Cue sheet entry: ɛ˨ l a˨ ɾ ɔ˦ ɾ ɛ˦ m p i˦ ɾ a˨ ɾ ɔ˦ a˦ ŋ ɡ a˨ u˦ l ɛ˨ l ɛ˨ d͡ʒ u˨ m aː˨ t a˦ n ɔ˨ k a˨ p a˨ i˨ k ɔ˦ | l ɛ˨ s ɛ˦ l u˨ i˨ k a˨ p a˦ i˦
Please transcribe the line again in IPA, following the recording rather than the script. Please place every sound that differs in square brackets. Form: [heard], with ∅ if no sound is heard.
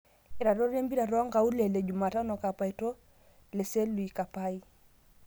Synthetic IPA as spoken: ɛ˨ [ɾ] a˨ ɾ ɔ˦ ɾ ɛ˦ m [b] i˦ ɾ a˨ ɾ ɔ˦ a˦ ŋ ɡ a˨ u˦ l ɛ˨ l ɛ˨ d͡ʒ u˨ m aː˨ t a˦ n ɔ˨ k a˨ p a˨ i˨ [t] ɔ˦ | l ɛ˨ s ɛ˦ l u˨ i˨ k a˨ p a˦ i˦